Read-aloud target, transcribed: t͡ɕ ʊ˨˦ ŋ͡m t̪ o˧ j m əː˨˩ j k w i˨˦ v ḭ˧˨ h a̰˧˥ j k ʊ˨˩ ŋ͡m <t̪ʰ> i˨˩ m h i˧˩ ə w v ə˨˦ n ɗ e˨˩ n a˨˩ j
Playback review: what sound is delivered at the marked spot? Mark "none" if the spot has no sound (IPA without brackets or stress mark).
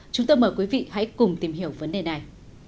t̪